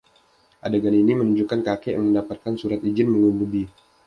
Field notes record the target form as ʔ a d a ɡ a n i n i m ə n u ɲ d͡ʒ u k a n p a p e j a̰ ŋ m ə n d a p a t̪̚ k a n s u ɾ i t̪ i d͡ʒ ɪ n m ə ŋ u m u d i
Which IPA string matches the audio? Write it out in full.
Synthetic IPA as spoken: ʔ a d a ɡ a n i n i m ə n u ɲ d͡ʒ u k a n k a k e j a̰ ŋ m ə n d a p a t̪̚ k a n s u ɾ a t̪ i d͡ʒ ɪ n m ə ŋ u m u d i

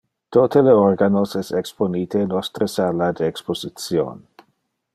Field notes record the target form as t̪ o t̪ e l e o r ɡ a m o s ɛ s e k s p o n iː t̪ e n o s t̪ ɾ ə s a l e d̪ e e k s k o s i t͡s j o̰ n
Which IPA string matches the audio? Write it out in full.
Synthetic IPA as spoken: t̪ o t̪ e l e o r ɡ a n o s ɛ s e k s p o n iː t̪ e n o s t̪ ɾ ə s a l a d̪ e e k s p o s i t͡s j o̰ n

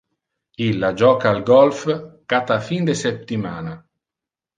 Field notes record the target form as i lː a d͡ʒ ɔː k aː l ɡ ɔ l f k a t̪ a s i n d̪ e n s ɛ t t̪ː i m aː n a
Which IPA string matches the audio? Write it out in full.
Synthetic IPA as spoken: i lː a d͡ʒ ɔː k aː l ɡ ɔ l f k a t̪ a f i n d̪ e s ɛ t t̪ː i m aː n a

